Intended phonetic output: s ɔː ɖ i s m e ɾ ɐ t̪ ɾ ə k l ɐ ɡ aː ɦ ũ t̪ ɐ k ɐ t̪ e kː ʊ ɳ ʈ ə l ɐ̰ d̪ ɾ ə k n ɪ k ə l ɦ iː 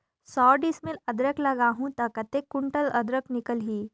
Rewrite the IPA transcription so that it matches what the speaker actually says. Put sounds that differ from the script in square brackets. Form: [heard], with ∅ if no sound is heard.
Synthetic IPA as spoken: s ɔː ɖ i s m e [l] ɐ [d̪] ɾ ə k l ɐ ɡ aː ɦ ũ t̪ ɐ k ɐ t̪ e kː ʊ ɳ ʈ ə l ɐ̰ d̪ ɾ ə k n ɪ k ə l ɦ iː